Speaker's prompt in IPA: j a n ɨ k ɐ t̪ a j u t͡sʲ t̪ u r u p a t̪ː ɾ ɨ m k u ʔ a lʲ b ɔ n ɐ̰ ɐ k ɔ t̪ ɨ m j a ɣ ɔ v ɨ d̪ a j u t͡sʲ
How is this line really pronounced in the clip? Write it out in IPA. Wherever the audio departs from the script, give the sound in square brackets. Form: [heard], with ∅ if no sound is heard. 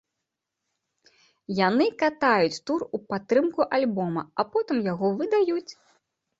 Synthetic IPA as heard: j a n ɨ k [a] t̪ a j u t͡sʲ t̪ u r u p a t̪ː ɾ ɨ m k u ʔ a lʲ b ɔ [m] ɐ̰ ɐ [p] ɔ t̪ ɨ m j a ɣ ɔ v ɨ d̪ a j u t͡sʲ